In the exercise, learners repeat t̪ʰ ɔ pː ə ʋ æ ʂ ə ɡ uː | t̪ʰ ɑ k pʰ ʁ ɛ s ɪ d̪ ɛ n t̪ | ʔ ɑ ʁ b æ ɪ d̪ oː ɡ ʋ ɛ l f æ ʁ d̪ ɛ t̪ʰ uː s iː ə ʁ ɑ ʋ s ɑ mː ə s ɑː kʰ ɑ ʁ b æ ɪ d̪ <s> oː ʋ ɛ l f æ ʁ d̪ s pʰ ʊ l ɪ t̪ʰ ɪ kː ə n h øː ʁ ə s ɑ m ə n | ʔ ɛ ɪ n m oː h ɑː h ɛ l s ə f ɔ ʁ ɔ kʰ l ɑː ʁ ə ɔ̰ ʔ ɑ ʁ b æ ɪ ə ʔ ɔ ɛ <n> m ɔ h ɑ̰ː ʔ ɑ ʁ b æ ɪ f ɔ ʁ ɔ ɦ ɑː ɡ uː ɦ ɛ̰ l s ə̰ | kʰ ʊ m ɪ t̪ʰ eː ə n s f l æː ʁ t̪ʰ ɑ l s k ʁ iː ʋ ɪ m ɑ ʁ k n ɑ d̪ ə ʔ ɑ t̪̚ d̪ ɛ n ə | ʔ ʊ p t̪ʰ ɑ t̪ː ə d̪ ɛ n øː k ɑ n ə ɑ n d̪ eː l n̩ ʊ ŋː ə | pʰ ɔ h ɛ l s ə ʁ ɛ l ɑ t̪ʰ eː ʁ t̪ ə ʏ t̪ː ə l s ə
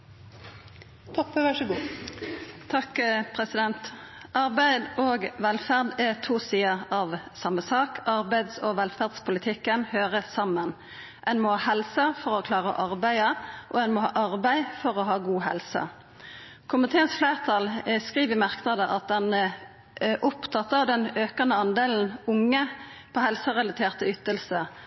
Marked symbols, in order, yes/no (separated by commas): yes, yes